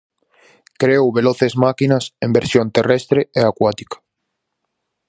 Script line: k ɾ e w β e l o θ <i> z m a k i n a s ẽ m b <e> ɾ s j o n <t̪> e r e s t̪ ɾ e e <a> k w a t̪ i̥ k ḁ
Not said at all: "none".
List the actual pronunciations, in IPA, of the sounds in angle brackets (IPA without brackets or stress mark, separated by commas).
e, e, t̪, a